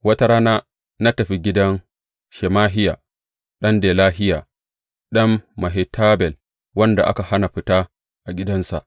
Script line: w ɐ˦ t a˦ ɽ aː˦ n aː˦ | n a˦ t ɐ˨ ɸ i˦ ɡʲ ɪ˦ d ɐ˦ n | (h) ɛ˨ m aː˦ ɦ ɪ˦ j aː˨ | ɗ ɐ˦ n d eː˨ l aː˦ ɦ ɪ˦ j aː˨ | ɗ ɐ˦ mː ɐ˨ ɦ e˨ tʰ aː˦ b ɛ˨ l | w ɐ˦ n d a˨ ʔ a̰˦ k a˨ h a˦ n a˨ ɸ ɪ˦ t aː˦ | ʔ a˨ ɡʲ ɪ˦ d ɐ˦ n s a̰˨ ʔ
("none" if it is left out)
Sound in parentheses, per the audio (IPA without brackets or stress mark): ʃ